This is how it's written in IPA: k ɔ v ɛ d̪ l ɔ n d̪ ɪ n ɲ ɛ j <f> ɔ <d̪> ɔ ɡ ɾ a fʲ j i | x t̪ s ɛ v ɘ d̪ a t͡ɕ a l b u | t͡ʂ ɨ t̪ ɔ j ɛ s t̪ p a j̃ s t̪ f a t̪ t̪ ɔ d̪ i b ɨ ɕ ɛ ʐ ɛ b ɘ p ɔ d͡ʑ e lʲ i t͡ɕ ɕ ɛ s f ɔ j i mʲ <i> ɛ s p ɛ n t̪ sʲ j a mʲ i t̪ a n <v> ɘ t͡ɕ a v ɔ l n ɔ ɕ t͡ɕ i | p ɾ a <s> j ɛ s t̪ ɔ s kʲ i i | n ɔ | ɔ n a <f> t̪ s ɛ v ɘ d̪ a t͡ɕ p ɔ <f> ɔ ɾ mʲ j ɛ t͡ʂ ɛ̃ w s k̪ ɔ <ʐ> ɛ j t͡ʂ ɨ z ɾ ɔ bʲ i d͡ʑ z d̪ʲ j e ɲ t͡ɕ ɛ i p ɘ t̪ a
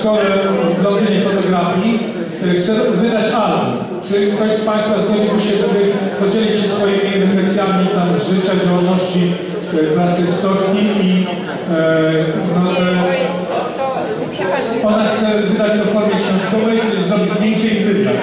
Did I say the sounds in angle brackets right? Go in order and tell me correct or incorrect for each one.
correct, incorrect: t̪, correct, incorrect: ʐ, correct, incorrect: x, correct, incorrect: v

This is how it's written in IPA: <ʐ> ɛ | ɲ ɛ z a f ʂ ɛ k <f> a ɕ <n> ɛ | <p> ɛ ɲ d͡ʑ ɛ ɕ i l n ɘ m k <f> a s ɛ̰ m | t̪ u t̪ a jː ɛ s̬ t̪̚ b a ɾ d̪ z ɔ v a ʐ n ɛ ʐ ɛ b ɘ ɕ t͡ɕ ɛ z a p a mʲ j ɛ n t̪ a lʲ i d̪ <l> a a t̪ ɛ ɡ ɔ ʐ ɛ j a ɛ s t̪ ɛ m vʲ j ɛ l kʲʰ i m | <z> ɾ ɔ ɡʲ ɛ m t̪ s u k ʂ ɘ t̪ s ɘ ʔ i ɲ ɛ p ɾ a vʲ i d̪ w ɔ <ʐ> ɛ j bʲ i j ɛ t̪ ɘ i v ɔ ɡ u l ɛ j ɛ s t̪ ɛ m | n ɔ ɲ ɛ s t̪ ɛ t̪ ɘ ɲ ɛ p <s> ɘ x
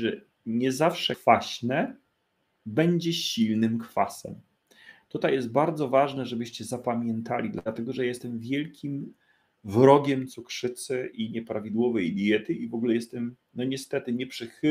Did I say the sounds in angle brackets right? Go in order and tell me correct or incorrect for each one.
correct, correct, correct, incorrect: b, correct, correct, incorrect: v, incorrect: v, incorrect: ʂ

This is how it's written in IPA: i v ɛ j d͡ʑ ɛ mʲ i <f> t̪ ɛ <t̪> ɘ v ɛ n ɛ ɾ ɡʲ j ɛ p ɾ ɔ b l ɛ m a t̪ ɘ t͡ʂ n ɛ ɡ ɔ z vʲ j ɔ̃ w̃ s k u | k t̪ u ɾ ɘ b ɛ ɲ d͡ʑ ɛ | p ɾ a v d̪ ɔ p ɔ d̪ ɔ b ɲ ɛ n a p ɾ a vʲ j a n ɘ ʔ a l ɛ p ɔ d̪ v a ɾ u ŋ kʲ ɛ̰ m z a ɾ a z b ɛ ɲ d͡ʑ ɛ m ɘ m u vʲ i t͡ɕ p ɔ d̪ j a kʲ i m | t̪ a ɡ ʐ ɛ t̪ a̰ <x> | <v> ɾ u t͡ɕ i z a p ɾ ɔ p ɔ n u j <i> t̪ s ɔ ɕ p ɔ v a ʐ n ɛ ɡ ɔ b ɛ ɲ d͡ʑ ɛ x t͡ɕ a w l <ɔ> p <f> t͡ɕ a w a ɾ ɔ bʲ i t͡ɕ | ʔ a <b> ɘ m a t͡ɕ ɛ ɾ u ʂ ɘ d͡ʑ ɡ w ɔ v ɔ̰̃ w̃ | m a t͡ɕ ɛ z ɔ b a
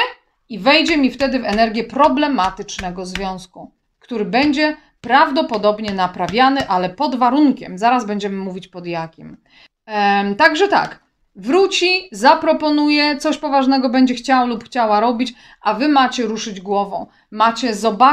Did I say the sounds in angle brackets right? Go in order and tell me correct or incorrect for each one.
correct, incorrect: d̪, incorrect: k, correct, incorrect: ɛ, incorrect: u, incorrect: x, incorrect: v

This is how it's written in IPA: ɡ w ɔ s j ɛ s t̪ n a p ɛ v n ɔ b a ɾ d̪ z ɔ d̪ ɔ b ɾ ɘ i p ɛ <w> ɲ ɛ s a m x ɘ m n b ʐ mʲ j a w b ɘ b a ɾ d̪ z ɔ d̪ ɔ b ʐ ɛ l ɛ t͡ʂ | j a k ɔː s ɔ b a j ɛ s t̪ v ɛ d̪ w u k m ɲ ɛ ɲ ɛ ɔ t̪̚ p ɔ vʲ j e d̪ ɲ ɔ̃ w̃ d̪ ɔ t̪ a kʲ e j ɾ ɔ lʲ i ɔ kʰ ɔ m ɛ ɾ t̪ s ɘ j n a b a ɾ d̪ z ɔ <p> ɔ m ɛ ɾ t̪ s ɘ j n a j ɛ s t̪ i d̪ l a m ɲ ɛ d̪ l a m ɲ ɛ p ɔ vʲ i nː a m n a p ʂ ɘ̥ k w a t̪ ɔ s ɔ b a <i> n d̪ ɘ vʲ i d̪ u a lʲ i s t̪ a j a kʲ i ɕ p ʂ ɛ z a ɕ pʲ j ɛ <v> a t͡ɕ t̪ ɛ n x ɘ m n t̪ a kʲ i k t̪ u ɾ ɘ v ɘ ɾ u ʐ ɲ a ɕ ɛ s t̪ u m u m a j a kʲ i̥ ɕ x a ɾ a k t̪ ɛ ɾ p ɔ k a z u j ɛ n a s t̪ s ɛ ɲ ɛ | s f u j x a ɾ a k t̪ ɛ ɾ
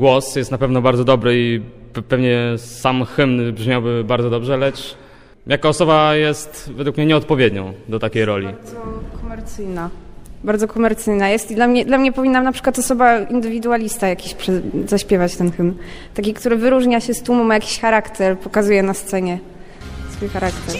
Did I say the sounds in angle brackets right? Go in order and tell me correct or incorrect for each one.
incorrect: v, incorrect: k, correct, correct

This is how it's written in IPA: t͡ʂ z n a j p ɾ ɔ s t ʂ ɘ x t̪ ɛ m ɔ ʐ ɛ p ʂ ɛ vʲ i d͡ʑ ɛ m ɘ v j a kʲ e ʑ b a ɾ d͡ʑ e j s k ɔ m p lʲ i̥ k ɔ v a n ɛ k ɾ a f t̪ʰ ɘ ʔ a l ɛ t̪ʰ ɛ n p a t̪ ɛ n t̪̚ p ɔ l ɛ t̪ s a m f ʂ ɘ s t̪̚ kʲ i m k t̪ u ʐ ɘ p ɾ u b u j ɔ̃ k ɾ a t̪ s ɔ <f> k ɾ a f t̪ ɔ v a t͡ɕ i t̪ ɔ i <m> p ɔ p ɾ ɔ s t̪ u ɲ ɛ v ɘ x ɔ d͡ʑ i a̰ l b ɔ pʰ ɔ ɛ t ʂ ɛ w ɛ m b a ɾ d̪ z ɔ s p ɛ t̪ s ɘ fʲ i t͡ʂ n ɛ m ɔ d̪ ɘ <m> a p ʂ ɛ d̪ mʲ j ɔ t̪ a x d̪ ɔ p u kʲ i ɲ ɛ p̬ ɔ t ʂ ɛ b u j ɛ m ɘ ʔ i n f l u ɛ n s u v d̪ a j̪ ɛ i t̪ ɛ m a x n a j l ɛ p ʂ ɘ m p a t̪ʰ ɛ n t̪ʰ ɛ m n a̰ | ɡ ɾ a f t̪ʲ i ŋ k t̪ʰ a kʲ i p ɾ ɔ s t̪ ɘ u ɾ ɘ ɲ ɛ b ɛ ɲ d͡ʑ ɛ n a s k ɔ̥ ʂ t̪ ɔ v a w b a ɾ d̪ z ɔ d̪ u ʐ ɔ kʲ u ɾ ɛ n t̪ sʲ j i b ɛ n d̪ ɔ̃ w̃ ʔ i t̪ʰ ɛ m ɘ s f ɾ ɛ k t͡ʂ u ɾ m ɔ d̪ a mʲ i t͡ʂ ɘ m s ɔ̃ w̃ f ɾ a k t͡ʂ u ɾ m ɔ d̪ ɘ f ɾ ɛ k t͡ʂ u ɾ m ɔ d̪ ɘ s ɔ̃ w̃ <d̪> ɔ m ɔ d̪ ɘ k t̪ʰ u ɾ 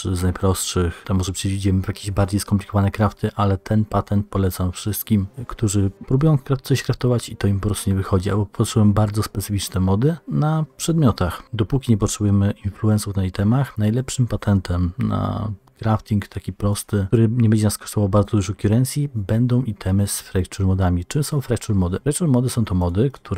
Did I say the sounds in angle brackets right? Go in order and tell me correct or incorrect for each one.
incorrect: ɕ, correct, incorrect: n, incorrect: t̪

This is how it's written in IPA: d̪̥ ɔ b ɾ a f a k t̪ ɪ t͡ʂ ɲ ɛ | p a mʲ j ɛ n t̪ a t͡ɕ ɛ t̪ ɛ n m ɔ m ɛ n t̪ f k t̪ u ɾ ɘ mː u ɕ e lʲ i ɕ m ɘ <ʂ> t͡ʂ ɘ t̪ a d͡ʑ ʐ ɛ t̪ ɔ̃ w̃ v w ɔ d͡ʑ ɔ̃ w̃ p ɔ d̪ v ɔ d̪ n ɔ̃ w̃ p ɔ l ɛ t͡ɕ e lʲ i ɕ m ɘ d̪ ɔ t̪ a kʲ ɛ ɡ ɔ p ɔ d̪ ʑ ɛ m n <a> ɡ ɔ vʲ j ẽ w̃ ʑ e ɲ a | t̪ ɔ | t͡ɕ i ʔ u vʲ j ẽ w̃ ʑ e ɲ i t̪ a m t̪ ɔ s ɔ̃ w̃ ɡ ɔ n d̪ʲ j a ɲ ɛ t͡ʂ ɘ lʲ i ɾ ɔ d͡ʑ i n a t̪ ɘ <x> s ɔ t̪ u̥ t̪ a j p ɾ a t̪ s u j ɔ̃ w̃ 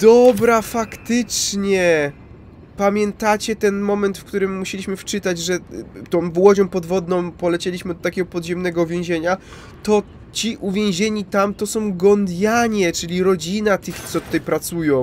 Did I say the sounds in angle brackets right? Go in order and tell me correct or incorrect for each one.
incorrect: f, incorrect: ɛ, correct

